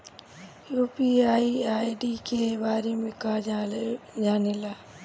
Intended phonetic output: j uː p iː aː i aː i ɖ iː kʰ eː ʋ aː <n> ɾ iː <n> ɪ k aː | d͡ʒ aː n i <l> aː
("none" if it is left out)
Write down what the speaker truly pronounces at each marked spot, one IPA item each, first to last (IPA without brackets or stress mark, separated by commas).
none, m, l